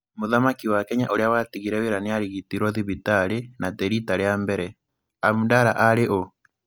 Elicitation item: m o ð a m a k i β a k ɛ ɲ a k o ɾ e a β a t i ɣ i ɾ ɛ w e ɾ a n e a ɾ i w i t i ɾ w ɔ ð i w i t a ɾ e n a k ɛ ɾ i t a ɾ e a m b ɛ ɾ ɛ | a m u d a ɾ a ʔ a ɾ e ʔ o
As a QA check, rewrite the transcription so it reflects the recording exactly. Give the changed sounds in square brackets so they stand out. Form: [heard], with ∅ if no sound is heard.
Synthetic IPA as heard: m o ð a m a k i [w] a k ɛ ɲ a [ʔ] o ɾ e a [w] a t i ɣ i ɾ ɛ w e ɾ a n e a ɾ i [ɣ] i t i ɾ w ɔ ð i [β] i t a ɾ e n a [t] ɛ ɾ i t a ɾ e a m b ɛ ɾ ɛ | a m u d a ɾ a ʔ a ɾ e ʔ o